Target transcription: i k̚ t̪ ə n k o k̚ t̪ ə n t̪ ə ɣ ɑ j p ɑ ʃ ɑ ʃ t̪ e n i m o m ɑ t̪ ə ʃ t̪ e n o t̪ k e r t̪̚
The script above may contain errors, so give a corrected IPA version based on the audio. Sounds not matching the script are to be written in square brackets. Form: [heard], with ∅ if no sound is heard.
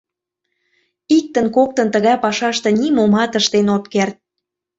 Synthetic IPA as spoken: i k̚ t̪ ə n k o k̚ t̪ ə n t̪ ə ɣ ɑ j p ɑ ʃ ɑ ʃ t̪ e n i m o m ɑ t̪ ə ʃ t̪ e n o t̪ k e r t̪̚